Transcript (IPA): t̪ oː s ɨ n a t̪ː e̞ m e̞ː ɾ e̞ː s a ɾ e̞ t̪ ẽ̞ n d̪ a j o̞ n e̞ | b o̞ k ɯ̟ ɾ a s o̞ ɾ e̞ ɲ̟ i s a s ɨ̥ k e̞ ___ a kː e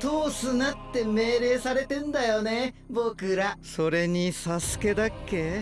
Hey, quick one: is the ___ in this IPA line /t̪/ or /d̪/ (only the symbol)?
d̪